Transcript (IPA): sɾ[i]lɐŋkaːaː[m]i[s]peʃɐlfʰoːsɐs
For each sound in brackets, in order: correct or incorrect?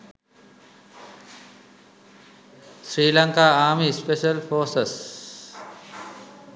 incorrect, correct, correct

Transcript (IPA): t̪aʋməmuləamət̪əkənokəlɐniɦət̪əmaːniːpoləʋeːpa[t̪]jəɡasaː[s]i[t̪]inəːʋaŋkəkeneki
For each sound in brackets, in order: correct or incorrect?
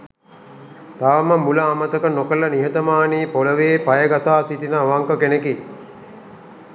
incorrect, correct, correct

